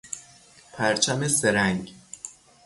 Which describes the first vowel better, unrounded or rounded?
unrounded